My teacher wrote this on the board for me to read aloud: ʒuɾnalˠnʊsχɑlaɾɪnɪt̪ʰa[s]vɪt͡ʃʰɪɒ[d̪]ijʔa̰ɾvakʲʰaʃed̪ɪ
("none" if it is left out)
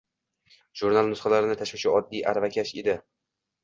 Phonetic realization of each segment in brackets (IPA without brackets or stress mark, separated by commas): ʃ, d̪ː